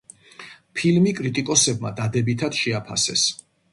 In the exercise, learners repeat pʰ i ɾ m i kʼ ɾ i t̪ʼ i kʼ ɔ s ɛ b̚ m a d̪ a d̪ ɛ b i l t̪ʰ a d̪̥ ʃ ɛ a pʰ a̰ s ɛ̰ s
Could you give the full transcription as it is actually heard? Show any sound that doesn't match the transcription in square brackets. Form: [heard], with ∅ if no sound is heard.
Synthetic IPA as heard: pʰ i [l] m i kʼ ɾ i t̪ʼ i kʼ ɔ s ɛ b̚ m a d̪ a d̪ ɛ b i [∅] t̪ʰ a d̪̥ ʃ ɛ a pʰ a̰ s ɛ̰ s